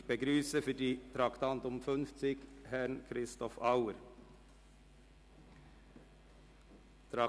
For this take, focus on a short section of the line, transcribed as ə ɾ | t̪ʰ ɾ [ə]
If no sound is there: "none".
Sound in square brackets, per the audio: ɑ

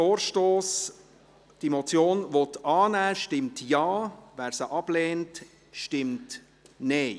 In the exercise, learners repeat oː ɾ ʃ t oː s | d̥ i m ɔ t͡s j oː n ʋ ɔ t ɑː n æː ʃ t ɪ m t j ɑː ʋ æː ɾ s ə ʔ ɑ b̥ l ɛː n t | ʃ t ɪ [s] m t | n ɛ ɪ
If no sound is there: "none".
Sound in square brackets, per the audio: none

